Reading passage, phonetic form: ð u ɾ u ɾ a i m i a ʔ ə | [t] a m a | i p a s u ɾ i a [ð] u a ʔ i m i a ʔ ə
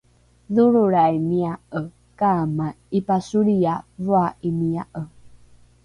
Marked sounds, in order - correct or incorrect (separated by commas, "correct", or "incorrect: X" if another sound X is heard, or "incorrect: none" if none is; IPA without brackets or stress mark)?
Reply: incorrect: k, incorrect: v